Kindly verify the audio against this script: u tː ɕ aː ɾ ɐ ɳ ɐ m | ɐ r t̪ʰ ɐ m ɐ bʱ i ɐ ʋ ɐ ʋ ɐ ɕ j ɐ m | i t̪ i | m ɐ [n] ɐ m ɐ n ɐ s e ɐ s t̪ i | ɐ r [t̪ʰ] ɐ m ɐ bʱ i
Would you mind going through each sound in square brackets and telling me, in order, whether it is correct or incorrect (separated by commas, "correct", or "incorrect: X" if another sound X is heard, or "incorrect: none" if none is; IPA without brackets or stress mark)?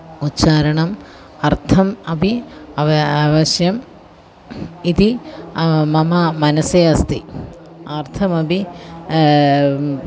incorrect: m, correct